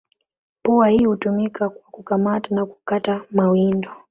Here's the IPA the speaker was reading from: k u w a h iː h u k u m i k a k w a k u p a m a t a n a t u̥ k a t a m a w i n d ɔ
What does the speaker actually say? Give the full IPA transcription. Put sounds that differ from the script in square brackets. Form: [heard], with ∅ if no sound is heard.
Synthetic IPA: [p] u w a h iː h u [t] u m i k a k w a k u [k] a m a t a n a [k] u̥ k a t a m a w i n d ɔ